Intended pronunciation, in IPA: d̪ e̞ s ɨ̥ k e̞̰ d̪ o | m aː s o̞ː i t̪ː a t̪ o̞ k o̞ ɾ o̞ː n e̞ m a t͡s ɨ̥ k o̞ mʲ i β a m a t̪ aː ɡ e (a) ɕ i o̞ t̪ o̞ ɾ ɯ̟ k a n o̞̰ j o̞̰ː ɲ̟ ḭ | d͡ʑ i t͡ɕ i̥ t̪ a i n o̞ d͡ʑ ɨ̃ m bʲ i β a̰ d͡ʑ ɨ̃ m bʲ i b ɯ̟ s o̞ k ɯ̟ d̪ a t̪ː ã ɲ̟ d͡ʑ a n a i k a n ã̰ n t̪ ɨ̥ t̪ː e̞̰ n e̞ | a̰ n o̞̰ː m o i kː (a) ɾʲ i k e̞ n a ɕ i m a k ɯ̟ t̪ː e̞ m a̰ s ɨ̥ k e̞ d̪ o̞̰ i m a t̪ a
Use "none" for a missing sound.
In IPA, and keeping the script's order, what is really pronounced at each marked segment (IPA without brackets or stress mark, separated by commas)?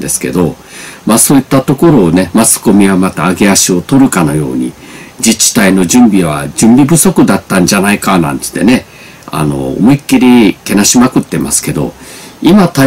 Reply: a, i